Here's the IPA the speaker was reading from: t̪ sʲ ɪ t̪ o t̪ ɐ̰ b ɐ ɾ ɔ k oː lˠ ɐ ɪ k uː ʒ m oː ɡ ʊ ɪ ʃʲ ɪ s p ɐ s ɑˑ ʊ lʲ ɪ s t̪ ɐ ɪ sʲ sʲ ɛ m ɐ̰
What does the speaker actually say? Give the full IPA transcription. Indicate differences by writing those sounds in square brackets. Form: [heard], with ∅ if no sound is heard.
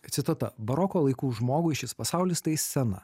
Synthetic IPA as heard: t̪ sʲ ɪ t̪ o t̪ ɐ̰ b ɐ ɾ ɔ k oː lˠ ɐ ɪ k uː ʒ m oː ɡ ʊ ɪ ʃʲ ɪ s p ɐ s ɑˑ ʊ lʲ ɪ s t̪ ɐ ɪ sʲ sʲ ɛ [n] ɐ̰